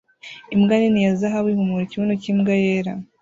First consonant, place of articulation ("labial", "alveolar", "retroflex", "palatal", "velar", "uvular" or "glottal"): labial